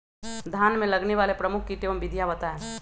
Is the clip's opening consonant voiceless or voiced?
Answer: voiced